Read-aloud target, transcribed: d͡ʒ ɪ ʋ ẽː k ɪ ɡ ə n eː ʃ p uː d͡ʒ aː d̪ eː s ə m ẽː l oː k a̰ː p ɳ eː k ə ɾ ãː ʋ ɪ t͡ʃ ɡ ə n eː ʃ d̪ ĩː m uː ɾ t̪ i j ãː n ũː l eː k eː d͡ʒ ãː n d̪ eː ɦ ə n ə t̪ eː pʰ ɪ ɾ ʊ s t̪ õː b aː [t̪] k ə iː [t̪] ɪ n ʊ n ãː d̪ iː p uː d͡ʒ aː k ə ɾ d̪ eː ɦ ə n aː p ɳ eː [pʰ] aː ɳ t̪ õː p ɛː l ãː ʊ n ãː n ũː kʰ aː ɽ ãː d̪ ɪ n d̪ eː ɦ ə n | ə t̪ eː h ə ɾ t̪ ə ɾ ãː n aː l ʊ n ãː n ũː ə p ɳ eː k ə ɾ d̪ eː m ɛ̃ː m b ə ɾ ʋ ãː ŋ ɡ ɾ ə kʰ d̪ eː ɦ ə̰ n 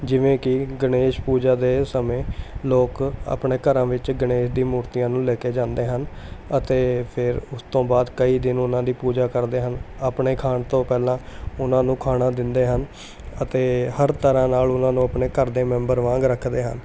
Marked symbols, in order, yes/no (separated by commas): no, no, no